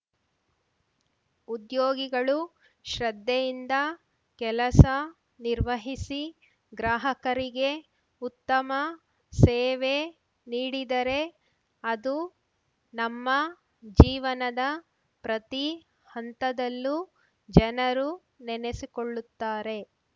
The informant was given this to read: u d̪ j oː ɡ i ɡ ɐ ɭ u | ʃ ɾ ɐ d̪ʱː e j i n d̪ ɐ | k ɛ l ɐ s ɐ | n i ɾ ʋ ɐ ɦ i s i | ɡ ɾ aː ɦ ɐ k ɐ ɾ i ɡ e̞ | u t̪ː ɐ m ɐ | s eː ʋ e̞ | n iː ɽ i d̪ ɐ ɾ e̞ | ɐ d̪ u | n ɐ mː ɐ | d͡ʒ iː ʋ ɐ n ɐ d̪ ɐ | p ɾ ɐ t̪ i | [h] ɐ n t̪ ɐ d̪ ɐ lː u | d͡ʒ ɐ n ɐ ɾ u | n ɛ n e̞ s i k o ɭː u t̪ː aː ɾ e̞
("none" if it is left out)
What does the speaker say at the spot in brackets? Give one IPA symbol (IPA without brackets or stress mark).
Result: h